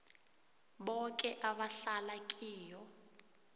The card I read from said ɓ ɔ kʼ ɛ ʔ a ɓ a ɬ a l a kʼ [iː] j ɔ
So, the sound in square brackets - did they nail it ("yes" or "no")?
yes